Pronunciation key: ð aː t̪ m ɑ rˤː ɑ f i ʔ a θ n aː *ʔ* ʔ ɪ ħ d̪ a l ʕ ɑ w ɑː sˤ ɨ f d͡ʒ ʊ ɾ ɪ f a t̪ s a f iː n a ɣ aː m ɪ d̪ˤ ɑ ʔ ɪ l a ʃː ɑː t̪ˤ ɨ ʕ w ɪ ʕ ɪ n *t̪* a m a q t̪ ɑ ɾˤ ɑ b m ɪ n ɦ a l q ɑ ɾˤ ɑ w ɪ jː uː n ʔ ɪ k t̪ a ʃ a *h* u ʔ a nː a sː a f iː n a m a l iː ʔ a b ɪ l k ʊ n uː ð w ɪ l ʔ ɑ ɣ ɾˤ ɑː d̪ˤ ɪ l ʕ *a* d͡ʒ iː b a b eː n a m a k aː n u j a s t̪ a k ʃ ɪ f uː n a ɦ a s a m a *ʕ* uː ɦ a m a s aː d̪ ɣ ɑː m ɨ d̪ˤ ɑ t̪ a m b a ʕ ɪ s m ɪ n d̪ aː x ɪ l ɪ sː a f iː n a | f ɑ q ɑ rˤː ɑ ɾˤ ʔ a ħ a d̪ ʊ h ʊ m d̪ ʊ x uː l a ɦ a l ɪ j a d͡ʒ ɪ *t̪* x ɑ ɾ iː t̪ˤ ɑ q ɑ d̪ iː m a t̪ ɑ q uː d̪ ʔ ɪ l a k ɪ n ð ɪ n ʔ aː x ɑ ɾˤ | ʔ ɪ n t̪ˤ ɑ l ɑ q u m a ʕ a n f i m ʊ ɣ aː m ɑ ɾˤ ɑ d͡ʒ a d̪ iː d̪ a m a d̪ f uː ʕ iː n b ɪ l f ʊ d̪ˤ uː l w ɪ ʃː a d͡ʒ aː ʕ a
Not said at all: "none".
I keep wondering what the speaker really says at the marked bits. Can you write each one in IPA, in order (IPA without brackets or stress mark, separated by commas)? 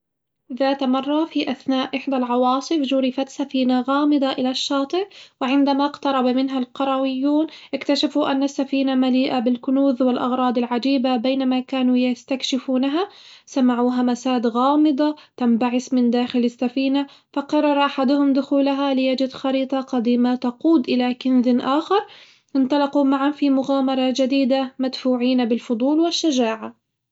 ʔ, d̪, f, a, ʕ, d̪